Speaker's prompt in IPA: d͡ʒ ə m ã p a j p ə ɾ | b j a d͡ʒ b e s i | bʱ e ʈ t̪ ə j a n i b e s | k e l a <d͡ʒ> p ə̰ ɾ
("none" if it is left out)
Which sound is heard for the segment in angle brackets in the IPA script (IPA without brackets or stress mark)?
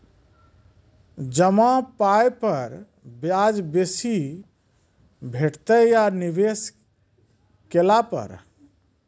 none